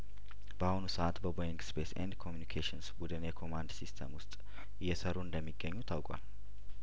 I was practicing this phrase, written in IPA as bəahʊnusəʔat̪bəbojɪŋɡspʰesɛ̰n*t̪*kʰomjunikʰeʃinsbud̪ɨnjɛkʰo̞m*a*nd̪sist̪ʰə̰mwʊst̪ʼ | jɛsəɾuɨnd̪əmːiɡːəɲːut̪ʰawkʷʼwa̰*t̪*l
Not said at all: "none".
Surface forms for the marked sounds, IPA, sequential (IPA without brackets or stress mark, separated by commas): d̪, a, none